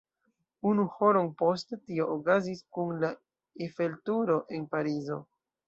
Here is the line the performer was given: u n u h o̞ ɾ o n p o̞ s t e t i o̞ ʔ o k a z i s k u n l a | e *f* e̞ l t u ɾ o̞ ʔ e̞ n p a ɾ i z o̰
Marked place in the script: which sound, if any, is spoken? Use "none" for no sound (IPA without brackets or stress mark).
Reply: f